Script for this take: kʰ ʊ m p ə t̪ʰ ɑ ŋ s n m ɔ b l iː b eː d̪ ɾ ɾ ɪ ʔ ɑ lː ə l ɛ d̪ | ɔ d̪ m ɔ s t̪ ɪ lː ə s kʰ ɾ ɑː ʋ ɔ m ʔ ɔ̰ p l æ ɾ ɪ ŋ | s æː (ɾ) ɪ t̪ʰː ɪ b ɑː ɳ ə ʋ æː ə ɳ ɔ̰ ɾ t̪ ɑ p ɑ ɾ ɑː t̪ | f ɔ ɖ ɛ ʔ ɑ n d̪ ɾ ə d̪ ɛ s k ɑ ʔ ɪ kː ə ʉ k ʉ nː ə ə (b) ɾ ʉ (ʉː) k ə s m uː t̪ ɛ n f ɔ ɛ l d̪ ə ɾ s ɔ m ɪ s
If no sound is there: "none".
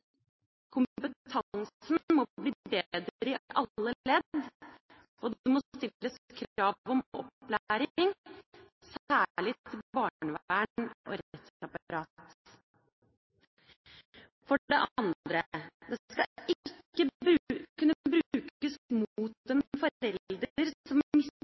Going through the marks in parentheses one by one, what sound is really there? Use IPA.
ɭ, b, ʉː

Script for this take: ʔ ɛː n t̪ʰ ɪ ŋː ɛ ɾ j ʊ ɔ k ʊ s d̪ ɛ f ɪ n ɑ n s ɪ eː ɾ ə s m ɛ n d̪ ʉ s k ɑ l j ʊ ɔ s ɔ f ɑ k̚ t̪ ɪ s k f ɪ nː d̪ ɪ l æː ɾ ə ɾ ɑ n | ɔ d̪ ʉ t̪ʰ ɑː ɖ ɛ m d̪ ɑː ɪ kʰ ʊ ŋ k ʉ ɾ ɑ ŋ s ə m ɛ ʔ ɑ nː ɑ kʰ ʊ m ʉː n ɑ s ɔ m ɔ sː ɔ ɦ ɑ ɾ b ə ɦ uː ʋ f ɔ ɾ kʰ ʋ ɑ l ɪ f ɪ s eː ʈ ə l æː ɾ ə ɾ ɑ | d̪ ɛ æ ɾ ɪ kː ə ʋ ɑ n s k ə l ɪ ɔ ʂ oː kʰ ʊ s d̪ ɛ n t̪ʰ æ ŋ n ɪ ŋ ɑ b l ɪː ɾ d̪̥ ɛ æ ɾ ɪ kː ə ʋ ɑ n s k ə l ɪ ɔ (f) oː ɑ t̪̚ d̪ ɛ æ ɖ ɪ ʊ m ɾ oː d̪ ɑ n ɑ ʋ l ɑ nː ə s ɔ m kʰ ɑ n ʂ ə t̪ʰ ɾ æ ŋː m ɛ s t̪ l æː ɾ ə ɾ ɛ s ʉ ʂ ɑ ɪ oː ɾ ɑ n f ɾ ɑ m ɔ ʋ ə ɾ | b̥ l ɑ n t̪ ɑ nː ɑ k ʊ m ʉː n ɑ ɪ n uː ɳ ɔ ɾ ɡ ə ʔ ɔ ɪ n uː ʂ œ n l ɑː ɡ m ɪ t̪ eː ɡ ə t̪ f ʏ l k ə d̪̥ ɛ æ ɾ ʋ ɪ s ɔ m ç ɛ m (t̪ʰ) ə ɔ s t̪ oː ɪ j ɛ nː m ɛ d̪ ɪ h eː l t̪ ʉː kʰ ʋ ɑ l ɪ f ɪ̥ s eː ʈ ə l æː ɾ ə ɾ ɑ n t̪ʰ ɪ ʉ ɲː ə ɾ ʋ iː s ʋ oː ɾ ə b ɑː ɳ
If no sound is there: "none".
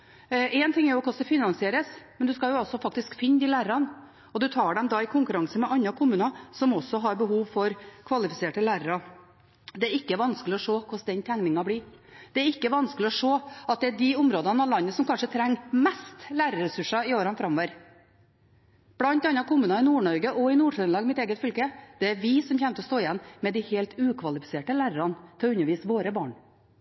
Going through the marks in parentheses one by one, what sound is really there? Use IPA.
ʂ, t̪

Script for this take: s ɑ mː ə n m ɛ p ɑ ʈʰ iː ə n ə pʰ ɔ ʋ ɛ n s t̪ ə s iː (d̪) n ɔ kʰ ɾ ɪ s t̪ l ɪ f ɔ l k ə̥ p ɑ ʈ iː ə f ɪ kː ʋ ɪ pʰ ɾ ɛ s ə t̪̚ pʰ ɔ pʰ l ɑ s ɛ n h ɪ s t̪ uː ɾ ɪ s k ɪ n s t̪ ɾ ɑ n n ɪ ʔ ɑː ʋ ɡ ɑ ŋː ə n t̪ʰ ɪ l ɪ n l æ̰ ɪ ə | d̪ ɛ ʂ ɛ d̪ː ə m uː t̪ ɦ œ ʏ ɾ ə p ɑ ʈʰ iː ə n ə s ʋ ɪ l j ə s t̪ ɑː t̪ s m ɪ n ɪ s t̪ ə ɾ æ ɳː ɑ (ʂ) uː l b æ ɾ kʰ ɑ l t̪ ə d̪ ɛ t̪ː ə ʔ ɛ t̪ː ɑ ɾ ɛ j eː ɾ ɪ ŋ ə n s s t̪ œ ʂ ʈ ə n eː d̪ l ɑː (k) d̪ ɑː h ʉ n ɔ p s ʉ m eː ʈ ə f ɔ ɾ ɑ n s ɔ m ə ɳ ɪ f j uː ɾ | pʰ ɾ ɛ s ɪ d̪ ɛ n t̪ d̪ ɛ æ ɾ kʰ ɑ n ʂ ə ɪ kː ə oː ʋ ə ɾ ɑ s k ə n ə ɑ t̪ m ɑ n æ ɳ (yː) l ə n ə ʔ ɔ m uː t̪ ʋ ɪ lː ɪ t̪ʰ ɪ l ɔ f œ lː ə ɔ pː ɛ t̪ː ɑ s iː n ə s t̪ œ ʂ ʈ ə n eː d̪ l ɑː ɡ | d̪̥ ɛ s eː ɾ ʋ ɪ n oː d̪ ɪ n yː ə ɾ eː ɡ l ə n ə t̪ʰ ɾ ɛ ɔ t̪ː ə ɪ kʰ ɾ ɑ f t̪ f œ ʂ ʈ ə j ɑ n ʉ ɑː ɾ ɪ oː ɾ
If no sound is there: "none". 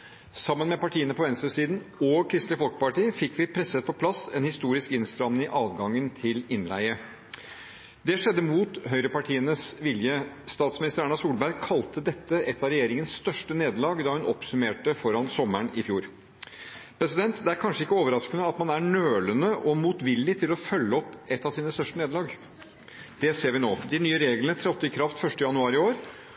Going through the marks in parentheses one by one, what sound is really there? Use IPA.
d̪, s, ɡ, øː

